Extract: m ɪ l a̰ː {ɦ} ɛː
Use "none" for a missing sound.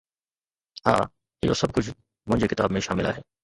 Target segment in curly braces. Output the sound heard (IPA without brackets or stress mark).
ɦ